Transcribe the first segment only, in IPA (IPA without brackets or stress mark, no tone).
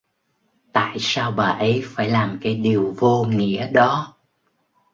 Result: t̪